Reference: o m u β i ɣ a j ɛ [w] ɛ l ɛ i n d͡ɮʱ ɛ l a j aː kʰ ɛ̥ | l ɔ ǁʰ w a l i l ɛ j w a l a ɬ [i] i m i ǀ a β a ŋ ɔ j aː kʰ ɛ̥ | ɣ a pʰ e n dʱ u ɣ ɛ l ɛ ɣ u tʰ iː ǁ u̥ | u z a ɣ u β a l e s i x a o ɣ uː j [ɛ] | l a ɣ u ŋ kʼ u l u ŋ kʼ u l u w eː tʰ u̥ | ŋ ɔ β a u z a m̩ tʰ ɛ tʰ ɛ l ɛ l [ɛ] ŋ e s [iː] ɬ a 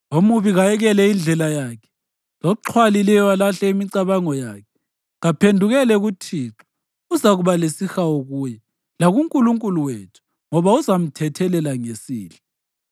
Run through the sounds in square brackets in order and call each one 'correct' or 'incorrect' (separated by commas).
incorrect, incorrect, correct, incorrect, correct